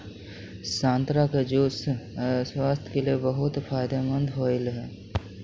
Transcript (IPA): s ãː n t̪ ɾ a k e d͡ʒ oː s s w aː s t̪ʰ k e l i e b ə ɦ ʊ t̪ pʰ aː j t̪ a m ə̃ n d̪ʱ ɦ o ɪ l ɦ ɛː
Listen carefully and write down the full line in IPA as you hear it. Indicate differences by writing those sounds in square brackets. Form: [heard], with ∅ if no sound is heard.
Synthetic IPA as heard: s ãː n t̪ ɾ a k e d͡ʒ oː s s w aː s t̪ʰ k e l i e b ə ɦ ʊ t̪ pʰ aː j [d̪] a m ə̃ n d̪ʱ ɦ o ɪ l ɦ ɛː